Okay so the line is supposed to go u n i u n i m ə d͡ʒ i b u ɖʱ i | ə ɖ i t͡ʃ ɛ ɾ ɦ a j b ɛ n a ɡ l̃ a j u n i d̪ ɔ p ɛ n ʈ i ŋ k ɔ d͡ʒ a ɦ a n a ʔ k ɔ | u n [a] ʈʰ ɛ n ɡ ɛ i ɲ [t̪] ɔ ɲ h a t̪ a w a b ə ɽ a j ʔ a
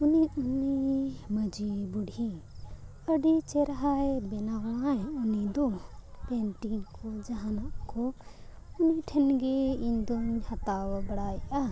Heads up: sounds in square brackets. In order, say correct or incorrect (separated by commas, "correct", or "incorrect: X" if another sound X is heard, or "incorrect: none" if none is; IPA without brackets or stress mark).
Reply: incorrect: i, incorrect: d̪